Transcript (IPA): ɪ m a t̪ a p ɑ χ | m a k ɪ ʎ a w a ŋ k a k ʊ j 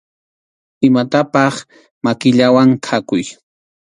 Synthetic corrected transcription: ɪ m a t̪ a p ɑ χ | m a k ɪ ʎ a w a ŋ kʰ a k ʊ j